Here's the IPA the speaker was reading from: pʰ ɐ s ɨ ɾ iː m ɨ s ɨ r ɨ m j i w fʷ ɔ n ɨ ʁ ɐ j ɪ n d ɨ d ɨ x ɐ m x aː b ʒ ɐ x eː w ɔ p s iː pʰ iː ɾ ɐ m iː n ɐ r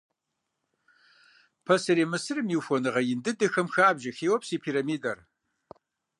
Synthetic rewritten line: pʰ ɐ s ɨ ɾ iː m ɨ s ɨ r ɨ m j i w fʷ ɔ n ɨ ʁ ɐ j ɪ n d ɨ d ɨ x ɐ m x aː b ʒ ɐ x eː w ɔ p s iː pʰ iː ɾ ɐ m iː d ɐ r